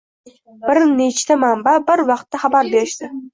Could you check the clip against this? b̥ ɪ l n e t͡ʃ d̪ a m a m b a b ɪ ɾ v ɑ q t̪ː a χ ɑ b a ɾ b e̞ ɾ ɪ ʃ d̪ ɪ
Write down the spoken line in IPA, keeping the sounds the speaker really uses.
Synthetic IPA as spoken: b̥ ɪ ɾ n e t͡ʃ t̪ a m a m b a b ɪ ɾ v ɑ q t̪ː a χ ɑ b a ɾ b e̞ ɾ ɪ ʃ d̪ ɪ